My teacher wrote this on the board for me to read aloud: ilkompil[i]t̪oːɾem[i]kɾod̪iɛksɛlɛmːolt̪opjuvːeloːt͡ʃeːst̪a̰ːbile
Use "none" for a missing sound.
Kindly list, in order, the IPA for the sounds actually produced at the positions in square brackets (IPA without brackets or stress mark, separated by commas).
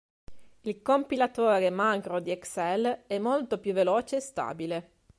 a, a